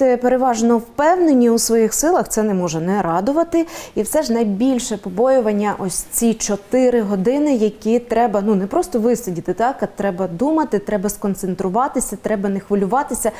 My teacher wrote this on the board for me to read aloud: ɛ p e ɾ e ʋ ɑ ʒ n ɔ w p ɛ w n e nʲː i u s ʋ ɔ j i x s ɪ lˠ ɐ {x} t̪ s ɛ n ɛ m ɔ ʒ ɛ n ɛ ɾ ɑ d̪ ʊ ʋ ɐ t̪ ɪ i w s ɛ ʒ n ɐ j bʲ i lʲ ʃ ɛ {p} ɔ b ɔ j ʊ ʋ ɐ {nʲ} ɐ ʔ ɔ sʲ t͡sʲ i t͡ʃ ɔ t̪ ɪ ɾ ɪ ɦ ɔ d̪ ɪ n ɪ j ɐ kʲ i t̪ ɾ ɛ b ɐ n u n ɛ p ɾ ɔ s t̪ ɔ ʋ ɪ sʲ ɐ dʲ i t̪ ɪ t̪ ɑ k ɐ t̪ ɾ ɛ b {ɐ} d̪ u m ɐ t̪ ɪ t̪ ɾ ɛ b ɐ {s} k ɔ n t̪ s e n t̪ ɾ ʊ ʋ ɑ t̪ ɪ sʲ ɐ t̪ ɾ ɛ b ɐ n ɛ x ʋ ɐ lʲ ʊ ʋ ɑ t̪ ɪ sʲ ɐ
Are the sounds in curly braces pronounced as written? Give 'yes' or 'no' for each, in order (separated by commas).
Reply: yes, yes, no, yes, yes